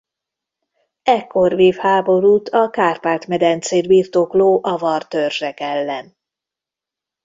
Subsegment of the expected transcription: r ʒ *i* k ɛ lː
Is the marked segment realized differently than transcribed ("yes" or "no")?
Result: yes